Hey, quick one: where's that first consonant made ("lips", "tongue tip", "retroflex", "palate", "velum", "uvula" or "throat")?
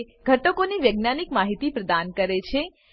velum